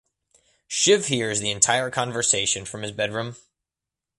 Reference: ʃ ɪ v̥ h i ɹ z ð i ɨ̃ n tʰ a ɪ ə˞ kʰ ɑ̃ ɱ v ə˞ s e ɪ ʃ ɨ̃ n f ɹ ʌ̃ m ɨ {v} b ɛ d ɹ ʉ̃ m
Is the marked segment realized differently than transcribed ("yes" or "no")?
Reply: yes